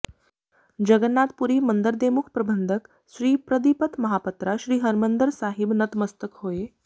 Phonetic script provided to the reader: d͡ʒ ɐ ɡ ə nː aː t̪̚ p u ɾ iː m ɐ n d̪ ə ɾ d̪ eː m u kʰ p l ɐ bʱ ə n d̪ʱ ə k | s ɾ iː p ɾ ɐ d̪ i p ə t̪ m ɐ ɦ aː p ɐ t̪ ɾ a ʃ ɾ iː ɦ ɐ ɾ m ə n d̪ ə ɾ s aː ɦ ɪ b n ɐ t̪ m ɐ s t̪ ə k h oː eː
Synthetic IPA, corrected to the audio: d͡ʒ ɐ ɡ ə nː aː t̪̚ p u ɾ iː m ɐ n d̪ ə ɾ d̪ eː m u kʰ p ɾ ɐ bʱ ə n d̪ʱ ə k | ʃ ɾ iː p ɾ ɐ d̪ i p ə t̪ m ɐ ɦ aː p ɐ t̪ ɾ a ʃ ɾ iː ɦ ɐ ɾ m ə n d̪ ə ɾ s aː ɦ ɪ b n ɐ t̪ m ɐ s t̪ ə k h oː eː